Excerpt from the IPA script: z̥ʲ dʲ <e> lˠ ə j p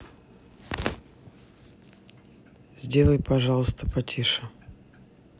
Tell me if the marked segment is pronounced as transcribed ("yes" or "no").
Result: yes